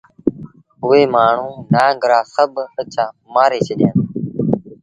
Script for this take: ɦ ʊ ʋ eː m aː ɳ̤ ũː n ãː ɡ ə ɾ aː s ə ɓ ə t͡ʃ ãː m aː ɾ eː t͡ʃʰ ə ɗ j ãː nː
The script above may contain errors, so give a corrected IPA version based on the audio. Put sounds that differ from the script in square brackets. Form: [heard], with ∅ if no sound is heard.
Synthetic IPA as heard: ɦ ʊ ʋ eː m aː ɳ̤ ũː n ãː ɡ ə ɾ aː s ə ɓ ə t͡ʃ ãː m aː ɾ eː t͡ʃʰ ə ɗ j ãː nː